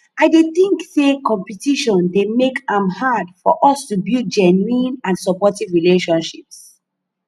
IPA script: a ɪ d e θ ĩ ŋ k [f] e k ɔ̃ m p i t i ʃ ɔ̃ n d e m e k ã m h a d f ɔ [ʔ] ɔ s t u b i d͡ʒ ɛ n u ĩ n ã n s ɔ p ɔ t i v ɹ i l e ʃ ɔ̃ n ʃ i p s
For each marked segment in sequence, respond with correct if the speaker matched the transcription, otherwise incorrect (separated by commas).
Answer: incorrect, correct